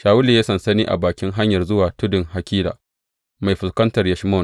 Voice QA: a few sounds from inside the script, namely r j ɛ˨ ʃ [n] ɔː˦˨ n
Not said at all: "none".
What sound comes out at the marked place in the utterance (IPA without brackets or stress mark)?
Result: m